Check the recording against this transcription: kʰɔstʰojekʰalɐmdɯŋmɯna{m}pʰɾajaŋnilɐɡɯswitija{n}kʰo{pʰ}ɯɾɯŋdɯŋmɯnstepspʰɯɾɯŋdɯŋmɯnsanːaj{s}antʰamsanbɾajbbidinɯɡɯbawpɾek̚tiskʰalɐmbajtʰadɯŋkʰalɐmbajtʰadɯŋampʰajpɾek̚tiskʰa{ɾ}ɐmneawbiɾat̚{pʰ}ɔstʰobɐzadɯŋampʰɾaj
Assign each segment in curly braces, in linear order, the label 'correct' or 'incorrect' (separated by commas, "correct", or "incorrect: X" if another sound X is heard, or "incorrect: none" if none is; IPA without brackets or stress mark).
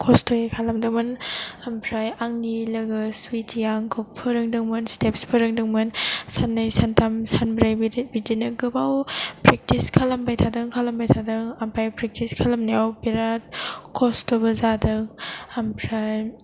correct, incorrect: ŋ, correct, correct, incorrect: l, incorrect: kʰ